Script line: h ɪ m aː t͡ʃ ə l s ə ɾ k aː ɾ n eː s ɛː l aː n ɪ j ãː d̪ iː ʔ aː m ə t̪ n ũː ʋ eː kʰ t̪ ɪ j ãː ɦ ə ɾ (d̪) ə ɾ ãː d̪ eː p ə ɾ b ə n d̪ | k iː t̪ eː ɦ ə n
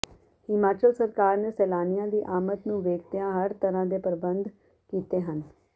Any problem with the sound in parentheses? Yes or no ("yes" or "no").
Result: yes